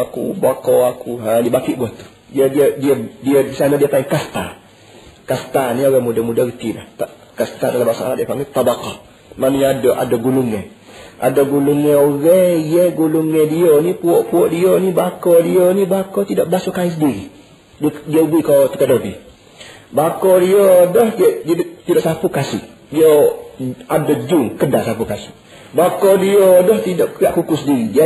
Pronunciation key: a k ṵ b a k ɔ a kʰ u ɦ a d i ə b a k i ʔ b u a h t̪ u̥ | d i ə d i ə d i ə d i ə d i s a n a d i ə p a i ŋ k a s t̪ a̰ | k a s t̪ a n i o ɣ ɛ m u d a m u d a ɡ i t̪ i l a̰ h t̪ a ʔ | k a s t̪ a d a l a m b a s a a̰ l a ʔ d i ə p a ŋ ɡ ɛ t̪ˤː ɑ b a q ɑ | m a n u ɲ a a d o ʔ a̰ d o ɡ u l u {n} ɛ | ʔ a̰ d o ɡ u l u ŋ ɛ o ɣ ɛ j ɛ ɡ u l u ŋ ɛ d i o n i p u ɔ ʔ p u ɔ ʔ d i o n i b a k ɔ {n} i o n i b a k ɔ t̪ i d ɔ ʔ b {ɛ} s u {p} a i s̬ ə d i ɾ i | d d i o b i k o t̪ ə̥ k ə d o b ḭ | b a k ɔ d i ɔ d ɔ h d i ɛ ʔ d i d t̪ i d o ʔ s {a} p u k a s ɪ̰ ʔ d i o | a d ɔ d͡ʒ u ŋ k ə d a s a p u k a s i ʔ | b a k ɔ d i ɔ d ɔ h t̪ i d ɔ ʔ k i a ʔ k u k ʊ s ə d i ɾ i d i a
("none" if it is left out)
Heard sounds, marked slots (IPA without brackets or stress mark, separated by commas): ŋ, d, a, k, a